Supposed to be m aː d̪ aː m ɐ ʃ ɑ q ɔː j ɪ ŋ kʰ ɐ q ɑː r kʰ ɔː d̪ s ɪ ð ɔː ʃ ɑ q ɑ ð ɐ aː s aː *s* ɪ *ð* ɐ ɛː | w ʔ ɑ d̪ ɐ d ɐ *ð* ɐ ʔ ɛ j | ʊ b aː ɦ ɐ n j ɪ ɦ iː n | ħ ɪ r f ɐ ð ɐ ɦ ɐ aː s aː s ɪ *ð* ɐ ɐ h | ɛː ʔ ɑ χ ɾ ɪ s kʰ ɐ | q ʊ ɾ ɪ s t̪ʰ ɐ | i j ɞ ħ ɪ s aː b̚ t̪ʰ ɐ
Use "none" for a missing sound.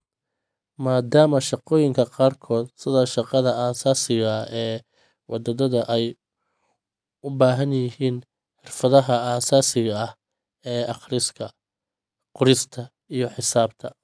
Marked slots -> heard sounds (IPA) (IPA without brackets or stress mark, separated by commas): s, ɣ, ð, ɣ